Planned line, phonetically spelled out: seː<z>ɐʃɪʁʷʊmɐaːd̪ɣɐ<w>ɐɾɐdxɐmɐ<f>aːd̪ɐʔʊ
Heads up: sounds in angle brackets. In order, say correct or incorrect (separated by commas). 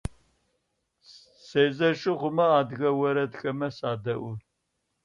correct, correct, incorrect